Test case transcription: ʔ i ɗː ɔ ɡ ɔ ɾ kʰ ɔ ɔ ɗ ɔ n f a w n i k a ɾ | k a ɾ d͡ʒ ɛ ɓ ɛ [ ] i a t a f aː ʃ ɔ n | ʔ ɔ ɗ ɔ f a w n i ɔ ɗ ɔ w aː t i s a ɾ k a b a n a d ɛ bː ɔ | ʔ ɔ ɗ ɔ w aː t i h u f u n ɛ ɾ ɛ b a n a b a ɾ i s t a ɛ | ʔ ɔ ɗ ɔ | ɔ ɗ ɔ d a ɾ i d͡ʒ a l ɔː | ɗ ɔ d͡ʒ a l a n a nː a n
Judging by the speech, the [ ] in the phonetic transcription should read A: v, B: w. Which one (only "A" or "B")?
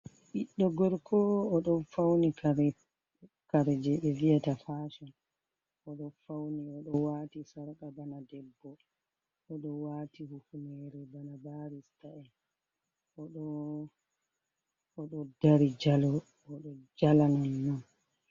A